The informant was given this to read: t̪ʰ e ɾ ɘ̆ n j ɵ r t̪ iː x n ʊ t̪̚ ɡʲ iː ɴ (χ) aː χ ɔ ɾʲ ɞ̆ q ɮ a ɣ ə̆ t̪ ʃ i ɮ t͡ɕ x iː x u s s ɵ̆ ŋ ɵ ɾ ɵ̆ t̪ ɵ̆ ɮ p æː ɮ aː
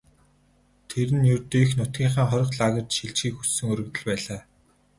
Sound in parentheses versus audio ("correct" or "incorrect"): correct